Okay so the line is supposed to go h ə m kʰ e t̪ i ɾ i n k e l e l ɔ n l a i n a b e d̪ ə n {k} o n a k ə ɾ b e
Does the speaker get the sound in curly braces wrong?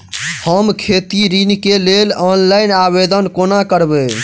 no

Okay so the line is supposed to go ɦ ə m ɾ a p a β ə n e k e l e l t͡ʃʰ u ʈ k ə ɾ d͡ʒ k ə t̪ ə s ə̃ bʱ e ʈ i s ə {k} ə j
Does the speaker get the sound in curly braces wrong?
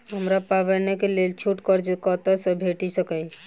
no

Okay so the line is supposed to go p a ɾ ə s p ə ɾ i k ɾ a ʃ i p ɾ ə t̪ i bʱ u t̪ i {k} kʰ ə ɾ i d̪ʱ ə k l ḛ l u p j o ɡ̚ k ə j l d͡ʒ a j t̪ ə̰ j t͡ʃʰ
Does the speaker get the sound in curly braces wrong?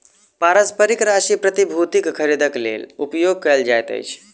no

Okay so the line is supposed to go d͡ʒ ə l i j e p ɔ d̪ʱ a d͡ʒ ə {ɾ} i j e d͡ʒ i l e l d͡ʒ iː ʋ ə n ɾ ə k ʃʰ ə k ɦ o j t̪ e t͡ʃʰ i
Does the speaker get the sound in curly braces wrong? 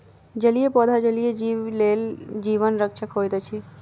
yes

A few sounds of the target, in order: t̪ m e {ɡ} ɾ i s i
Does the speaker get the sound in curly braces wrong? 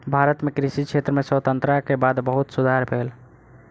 yes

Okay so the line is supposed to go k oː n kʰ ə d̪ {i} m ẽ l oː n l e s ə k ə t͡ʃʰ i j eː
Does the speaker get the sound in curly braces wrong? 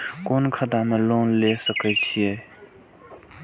yes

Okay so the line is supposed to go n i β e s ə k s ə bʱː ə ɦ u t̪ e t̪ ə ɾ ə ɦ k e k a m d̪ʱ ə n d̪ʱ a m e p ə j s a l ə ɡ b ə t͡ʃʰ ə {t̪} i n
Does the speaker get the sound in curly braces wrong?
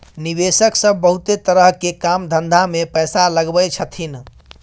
yes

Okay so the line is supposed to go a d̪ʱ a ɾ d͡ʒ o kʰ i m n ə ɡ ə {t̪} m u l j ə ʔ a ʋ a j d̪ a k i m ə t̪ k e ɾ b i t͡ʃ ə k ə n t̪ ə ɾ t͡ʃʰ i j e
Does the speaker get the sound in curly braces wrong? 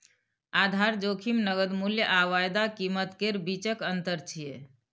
yes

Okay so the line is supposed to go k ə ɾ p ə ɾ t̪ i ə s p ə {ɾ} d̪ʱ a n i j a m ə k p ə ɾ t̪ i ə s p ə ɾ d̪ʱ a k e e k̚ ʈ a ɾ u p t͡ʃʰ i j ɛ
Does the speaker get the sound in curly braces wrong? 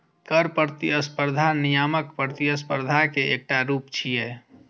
no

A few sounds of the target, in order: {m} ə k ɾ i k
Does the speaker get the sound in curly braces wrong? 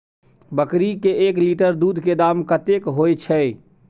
yes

